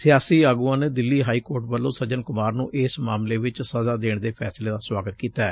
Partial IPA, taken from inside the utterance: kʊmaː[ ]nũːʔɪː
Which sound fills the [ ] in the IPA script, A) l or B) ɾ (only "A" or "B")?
B